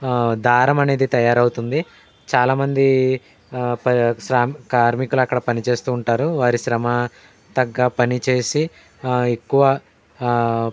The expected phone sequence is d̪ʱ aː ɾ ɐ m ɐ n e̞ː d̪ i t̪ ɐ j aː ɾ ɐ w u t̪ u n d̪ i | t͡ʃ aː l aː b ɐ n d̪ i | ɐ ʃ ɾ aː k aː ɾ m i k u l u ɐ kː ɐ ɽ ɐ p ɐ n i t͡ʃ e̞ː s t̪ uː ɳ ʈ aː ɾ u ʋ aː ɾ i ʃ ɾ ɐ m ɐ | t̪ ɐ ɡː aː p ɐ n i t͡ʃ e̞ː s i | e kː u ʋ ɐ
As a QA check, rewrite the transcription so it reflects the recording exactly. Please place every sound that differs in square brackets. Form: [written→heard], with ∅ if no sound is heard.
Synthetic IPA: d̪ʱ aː ɾ ɐ m ɐ n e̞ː d̪ i t̪ ɐ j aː ɾ ɐ w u t̪ u n d̪ i | t͡ʃ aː l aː [b→m] ɐ n d̪ i | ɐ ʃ ɾ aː k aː ɾ m i k u l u ɐ kː ɐ ɽ ɐ p ɐ n i t͡ʃ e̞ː s t̪ uː ɳ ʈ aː ɾ u ʋ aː ɾ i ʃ ɾ ɐ m ɐ | t̪ ɐ ɡː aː p ɐ n i t͡ʃ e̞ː s i | e kː u ʋ ɐ